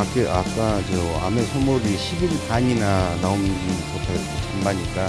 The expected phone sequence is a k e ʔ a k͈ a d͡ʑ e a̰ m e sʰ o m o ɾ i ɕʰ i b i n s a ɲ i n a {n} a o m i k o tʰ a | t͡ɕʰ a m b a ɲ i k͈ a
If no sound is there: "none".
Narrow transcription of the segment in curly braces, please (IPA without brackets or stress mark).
n